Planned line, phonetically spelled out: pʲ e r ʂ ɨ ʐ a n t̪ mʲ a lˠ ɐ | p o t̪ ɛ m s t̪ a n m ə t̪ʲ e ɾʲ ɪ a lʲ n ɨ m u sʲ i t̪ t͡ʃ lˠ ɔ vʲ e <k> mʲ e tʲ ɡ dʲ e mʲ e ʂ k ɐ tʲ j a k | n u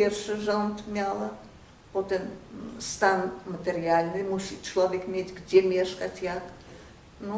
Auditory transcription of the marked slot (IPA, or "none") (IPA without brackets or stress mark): k